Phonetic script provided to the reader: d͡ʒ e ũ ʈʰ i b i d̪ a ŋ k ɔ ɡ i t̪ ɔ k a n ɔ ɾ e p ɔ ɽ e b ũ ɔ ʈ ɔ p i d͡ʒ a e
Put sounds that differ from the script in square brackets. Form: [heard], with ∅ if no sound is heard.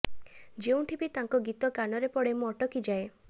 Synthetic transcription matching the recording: d͡ʒ e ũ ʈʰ i b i [t̪] a ŋ k ɔ ɡ i t̪ ɔ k a n ɔ ɾ e p ɔ ɽ e [m] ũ ɔ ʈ ɔ [k] i d͡ʒ a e